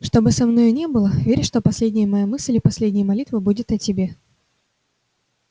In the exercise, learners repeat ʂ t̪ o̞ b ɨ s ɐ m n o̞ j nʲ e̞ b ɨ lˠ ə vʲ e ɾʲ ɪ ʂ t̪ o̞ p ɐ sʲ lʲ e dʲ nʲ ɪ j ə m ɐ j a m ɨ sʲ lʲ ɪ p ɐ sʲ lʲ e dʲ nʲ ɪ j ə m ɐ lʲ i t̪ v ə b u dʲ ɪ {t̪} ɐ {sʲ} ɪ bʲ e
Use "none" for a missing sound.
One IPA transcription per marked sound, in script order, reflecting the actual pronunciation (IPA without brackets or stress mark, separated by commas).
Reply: t̪, tʲ